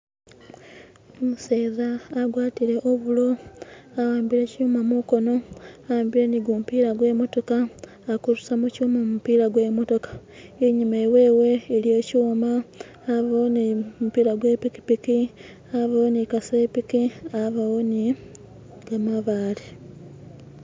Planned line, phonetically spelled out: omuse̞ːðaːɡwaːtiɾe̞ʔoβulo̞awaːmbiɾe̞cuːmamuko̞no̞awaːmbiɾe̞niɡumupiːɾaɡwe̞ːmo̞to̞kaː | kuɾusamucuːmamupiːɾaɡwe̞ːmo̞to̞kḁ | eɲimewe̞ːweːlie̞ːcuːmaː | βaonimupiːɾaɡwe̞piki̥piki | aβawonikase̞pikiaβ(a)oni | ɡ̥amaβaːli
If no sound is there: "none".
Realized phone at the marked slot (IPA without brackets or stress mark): a